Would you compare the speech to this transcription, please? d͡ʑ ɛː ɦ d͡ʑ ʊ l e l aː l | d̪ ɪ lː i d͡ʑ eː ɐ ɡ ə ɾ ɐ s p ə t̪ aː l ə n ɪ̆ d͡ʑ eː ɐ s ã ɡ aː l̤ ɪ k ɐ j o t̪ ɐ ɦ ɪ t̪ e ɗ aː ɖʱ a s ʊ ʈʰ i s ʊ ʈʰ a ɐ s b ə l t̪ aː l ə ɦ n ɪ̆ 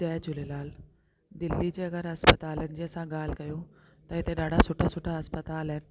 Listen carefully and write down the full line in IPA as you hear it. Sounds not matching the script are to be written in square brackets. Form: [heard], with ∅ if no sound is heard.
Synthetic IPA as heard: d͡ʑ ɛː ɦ d͡ʑ ʊ l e l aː l | d̪ ɪ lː i d͡ʑ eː ɐ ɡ ə ɾ ɐ s p ə t̪ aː l ə n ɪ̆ d͡ʑ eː ɐ s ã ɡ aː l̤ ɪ k ɐ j o t̪ ɐ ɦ ɪ t̪ e ɗ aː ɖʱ a s ʊ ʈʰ [a] s ʊ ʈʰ a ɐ s [p] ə [∅] t̪ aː l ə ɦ n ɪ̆

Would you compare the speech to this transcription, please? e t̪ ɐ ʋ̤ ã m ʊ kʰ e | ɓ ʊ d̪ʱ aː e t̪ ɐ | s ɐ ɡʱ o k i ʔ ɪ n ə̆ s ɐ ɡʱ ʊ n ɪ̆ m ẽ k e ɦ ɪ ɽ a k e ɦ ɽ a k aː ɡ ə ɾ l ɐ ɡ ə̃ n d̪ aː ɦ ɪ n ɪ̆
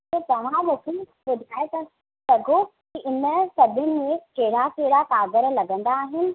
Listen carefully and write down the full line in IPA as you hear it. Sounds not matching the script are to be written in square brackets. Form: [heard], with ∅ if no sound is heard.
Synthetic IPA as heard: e t̪ ɐ ʋ̤ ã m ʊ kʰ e | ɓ ʊ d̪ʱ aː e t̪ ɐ | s ɐ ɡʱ o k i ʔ ɪ n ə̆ s ɐ [bʱ] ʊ n ɪ̆ m ẽ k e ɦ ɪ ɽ a k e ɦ ɽ a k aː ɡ ə ɾ l ɐ ɡ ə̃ n d̪ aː ɦ ɪ n ɪ̆

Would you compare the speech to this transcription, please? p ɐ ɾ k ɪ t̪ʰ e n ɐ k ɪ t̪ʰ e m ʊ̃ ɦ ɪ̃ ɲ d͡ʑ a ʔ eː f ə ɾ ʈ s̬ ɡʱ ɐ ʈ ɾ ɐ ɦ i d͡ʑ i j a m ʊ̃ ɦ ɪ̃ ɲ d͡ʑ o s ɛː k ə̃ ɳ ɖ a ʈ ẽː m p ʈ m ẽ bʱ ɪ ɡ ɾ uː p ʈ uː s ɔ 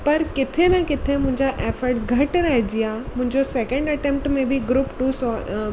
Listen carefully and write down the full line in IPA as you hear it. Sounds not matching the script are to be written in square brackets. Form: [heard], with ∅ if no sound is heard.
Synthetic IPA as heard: p ɐ ɾ k ɪ t̪ʰ e n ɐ k ɪ t̪ʰ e m ʊ̃ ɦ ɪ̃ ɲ d͡ʑ a ʔ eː f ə ɾ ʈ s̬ ɡʱ ɐ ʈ ɾ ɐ ɦ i d͡ʑ i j a m ʊ̃ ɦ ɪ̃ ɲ d͡ʑ o s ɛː k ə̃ ɳ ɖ [ɐ] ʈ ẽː m p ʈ m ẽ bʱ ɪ ɡ ɾ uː p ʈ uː s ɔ

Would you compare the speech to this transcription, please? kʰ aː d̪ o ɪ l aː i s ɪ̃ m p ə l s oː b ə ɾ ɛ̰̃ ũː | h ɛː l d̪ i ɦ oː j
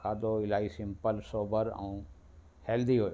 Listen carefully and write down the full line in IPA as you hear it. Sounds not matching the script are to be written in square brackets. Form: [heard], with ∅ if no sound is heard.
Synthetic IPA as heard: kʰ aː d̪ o ɪ l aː i s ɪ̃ m p ə l s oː b ə ɾ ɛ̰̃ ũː | h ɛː l d̪ i ɦ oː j

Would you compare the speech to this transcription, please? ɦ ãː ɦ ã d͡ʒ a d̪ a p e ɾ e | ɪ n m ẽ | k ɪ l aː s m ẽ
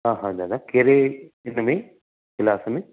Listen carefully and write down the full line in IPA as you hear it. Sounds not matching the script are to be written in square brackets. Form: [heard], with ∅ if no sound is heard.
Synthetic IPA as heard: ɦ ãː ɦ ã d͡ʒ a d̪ a [k] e ɾ e | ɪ n m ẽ | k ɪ l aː s m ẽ

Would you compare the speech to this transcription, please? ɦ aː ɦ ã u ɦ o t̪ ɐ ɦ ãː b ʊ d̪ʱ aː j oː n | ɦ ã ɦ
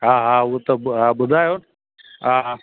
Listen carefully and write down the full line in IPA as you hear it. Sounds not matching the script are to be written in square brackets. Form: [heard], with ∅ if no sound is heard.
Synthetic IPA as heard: ɦ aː ɦ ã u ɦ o t̪ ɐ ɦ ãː b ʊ d̪ʱ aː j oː n | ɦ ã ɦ

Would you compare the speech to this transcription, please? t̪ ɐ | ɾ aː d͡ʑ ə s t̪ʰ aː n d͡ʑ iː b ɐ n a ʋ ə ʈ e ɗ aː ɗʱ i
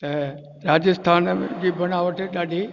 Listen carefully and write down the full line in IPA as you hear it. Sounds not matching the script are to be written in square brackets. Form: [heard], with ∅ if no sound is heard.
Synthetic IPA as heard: t̪ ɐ | ɾ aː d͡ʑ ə s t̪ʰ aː n d͡ʑ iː b ɐ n a ʋ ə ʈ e ɗ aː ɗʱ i

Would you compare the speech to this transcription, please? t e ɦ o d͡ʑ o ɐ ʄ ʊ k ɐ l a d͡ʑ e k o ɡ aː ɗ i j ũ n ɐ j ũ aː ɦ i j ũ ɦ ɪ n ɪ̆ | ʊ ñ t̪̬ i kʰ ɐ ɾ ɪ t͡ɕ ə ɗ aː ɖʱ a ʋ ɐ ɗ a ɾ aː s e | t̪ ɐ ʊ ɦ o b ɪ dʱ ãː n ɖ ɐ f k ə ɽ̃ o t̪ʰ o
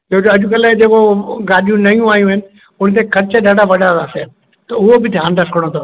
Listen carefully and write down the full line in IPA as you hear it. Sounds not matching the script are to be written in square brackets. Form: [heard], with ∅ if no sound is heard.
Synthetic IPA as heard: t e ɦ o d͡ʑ o ɐ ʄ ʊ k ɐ l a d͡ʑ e k o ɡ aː ɗ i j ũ n ɐ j ũ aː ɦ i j ũ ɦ ɪ n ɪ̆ | ʊ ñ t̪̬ [e] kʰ ɐ ɾ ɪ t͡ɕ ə ɗ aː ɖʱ a ʋ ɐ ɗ a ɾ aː s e | t̪ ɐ ʊ ɦ o b ɪ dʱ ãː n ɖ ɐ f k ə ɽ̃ o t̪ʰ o

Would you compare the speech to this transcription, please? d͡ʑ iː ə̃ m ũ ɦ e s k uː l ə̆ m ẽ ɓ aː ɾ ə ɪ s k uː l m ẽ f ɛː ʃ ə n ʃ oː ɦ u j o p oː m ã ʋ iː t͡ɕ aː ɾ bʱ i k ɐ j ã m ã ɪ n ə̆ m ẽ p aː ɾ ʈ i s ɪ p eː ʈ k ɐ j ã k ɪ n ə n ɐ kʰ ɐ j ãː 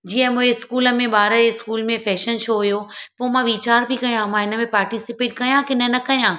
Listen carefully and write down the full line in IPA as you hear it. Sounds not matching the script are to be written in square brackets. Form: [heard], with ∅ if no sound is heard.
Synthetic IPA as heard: d͡ʑ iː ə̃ m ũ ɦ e s k uː l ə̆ m ẽ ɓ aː ɾ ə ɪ s k uː l m ẽ f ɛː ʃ ə n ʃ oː ɦ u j o p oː m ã ʋ iː t͡ɕ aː ɾ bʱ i k ɐ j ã m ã ɪ n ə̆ m ẽ p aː ɾ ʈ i s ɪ p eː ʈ k ɐ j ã k ɪ n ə n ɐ [k] ɐ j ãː

